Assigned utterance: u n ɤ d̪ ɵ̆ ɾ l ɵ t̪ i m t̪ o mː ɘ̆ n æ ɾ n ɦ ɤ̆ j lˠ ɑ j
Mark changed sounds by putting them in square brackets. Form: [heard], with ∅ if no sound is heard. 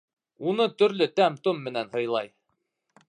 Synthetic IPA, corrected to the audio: u n ɤ [t̪] ɵ̆ ɾ l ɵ t̪ [æ] m t̪ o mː ɘ̆ n æ [∅] n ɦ ɤ̆ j lˠ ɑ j